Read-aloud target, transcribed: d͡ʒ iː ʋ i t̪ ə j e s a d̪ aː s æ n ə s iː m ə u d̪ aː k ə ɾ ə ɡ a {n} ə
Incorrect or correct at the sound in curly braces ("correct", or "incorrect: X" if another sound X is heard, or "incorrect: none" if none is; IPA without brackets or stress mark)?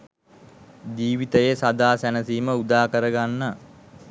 incorrect: nː